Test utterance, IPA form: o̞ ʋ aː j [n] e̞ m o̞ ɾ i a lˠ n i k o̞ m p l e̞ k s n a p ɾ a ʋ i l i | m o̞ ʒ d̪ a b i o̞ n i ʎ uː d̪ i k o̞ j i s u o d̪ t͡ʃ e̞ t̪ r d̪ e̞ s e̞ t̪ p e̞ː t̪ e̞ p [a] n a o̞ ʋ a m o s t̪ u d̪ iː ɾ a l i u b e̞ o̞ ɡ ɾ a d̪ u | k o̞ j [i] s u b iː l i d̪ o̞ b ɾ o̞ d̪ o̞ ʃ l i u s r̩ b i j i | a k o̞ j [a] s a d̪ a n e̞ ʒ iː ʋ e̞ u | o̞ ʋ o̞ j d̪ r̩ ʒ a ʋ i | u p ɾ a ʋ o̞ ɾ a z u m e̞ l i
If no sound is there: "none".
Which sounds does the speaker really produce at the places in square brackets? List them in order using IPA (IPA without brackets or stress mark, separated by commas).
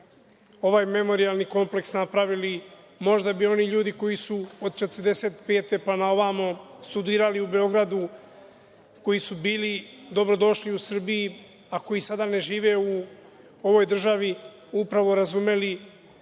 m, a, i, i